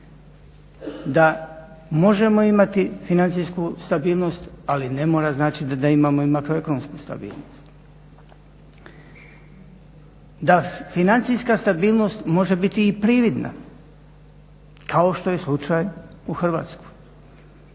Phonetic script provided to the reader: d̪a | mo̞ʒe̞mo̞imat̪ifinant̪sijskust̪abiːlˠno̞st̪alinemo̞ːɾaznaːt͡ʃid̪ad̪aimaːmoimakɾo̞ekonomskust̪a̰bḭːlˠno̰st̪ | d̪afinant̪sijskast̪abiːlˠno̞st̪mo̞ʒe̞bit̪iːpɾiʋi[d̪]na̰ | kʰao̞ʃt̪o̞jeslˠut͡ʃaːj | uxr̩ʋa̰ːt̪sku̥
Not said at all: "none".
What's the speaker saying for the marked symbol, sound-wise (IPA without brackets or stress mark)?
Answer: d̪